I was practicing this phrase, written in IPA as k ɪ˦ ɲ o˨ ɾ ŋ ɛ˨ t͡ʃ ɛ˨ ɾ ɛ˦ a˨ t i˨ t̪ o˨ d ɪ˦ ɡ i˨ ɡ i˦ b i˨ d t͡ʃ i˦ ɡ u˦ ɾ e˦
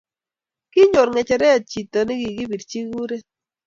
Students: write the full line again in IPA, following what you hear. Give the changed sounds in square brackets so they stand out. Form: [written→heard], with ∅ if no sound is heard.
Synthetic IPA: k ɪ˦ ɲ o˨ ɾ ŋ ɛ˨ t͡ʃ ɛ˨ ɾ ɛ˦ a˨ [t→t͡ʃ] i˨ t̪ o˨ [d→n] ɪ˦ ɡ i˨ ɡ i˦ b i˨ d t͡ʃ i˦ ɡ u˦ ɾ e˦